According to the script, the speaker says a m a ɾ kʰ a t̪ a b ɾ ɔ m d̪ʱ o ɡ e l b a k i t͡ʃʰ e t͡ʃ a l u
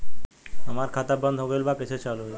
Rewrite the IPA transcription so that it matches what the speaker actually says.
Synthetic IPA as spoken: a m a ɾ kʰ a t̪ a b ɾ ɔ n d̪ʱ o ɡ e l b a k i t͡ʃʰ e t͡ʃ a l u